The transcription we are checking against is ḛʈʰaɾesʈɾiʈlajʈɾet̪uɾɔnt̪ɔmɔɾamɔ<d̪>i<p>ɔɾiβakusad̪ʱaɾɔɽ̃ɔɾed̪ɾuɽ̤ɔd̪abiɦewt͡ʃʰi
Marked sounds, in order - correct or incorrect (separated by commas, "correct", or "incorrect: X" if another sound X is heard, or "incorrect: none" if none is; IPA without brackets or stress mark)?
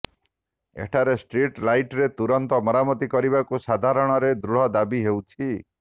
incorrect: t̪, incorrect: k